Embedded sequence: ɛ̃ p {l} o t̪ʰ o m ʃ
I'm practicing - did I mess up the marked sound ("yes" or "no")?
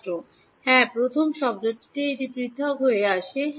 yes